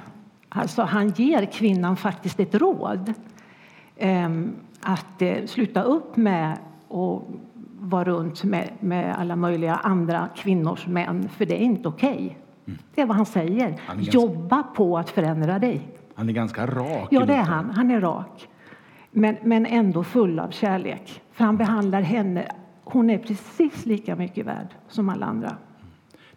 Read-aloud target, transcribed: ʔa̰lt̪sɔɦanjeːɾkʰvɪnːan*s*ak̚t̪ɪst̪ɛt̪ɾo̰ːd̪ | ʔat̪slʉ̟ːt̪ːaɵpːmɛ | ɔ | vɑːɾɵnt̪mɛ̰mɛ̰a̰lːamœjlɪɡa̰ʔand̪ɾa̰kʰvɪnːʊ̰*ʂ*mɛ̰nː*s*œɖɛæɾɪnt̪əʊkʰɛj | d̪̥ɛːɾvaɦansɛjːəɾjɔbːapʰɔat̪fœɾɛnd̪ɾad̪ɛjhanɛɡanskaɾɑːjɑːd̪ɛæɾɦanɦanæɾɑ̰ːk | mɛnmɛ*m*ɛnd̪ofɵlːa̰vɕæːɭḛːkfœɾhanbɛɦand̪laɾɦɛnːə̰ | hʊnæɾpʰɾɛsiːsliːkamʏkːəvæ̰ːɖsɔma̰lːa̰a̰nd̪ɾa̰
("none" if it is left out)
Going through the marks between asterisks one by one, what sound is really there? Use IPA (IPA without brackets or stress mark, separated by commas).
f, ʂ, f, n